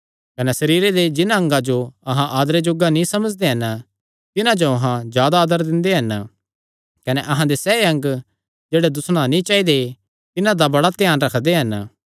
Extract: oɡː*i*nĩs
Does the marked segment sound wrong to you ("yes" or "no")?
yes